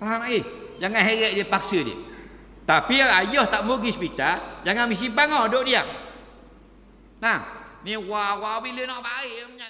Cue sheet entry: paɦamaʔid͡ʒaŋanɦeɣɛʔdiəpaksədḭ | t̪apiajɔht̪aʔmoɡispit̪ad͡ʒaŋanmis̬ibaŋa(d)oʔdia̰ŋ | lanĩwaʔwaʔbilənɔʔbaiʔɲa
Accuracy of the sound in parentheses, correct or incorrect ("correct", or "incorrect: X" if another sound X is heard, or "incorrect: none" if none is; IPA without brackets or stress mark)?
correct